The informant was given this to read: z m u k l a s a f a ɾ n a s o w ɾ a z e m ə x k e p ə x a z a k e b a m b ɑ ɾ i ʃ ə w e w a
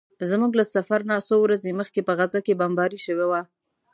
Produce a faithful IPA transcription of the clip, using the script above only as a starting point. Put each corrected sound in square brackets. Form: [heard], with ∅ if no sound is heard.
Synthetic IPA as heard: z m u [ɡ] l a s a f a ɾ n a s o w ɾ a z e m ə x k e p ə [ɣ] a z a k e b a m b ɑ ɾ i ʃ ə w e w a